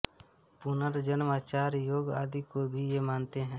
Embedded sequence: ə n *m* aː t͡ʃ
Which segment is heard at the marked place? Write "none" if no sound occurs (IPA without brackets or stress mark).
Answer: m